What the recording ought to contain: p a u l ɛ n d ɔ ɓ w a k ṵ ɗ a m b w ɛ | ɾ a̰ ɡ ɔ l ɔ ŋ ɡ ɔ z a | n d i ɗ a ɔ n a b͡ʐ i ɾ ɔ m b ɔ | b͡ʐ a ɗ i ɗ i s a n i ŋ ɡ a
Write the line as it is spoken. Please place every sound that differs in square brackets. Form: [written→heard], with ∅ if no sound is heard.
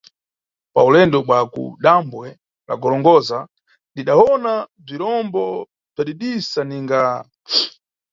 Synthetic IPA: p a u l ɛ n d ɔ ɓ w a k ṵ ɗ a m b w ɛ | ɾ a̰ ɡ ɔ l ɔ ŋ ɡ ɔ z a | n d i ɗ a ɔ n a b͡ʐ i ɾ ɔ m b ɔ | b͡ʐ a ɗ i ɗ i s a n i ŋ ɡ a